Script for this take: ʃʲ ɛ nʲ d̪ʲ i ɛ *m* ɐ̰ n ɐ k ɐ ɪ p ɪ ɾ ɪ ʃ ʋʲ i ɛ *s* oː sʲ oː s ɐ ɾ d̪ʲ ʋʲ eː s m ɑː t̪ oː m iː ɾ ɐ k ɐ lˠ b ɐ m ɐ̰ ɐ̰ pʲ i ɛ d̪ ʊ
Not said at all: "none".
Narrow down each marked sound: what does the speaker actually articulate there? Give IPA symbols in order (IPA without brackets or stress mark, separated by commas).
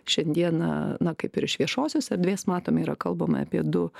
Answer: n, ʃ